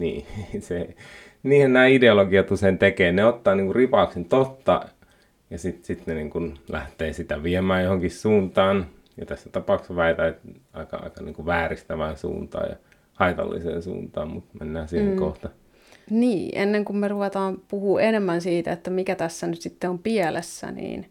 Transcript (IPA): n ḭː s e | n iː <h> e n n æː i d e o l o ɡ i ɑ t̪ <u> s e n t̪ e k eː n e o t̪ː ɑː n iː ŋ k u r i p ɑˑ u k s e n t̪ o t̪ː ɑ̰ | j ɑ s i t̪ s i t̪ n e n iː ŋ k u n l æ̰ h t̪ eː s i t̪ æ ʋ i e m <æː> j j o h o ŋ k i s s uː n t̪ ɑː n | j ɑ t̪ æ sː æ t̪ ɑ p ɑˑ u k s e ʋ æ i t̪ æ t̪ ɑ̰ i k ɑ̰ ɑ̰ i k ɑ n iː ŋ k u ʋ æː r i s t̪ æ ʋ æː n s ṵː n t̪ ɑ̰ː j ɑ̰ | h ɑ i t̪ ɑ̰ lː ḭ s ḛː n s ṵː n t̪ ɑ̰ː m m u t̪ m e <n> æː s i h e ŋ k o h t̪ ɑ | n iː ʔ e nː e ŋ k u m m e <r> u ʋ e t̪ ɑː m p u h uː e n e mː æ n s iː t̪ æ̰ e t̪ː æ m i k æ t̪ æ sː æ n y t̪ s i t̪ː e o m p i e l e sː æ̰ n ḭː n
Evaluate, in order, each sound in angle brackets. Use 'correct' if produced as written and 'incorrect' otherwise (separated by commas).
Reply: correct, correct, correct, incorrect, correct